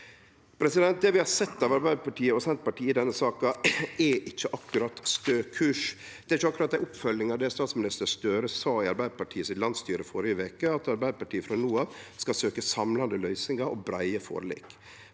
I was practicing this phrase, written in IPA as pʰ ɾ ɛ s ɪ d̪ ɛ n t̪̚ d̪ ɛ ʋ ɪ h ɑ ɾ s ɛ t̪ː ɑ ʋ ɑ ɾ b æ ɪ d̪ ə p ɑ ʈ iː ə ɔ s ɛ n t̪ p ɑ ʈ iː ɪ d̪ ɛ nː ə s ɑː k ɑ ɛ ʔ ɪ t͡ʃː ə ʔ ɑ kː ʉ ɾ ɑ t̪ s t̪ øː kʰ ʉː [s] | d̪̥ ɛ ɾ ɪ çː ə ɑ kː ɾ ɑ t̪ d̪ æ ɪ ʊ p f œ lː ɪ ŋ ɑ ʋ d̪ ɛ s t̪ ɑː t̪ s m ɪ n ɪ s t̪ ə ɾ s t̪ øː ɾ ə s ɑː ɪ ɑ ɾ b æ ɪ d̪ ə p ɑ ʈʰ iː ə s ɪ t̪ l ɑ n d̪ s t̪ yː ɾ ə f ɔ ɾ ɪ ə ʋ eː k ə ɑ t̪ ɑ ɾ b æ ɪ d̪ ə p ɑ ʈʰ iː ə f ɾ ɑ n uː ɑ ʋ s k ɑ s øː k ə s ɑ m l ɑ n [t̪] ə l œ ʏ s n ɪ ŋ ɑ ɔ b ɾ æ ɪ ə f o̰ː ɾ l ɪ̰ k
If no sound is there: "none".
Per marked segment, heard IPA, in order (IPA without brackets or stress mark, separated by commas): ʂ, d̪